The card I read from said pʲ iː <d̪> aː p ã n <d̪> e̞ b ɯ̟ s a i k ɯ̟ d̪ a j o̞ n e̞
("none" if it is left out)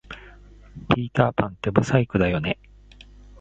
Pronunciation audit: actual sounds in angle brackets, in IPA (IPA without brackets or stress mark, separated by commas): t̪, t̪